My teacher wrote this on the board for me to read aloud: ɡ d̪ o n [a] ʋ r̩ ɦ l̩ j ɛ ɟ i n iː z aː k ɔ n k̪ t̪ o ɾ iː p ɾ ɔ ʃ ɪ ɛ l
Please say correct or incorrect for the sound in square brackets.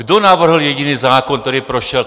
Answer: correct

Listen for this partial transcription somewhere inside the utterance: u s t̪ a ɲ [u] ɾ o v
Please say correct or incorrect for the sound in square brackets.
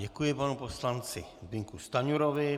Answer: correct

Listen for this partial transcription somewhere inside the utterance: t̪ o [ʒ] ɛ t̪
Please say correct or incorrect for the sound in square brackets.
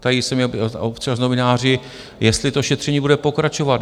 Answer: incorrect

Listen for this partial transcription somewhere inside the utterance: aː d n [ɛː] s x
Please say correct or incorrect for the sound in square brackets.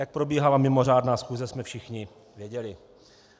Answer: incorrect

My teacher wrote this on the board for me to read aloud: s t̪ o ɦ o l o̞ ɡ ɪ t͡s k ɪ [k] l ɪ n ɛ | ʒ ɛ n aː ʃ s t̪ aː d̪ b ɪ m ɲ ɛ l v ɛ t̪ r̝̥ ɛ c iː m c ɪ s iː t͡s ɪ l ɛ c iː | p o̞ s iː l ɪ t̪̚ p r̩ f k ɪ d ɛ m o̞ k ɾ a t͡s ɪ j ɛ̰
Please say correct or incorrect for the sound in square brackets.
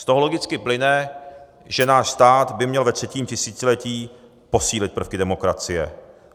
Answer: incorrect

